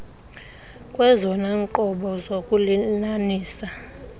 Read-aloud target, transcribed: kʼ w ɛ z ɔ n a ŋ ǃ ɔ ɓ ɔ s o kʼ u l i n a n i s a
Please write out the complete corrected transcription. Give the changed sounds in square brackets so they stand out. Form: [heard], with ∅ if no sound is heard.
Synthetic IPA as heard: kʼ w ɛ z ɔ n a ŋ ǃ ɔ ɓ ɔ [z] o kʼ u l i n a n [iː] s a